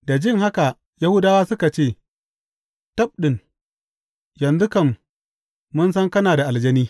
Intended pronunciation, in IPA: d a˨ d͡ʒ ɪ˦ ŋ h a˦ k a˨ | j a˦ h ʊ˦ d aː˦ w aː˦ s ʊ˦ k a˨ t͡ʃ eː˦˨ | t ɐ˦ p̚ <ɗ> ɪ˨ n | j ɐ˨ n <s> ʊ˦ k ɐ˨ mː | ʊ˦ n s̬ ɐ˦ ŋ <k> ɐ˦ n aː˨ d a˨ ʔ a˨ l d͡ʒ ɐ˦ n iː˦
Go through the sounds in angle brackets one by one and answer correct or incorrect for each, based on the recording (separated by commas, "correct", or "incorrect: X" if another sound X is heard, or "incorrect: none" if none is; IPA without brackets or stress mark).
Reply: correct, incorrect: z, correct